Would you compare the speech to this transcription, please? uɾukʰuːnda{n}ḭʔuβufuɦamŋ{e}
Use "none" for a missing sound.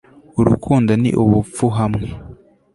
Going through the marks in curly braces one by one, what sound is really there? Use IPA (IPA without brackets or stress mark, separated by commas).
n, e